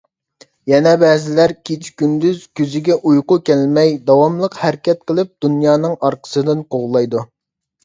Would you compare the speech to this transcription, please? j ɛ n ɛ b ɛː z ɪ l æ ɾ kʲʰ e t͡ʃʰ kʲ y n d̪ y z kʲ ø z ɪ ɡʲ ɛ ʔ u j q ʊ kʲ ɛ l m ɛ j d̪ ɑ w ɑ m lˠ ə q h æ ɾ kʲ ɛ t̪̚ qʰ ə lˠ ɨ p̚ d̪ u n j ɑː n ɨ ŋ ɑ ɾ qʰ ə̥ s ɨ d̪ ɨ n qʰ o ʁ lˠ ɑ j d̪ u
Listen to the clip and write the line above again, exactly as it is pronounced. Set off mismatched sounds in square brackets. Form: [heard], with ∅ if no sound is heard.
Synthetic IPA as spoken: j ɛ n ɛ b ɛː z ɪ l æ ɾ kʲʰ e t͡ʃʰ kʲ y n d̪ y z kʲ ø z ɪ ɡʲ ɛ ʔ u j q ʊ kʲ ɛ l m ɛ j d̪ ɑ w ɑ m lˠ ə q h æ ɾ kʲ ɛ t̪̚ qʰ ə lˠ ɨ p̚ d̪ u n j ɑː n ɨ ŋ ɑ ɾ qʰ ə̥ s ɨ d̪ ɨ n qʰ o ʁ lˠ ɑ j d̪ u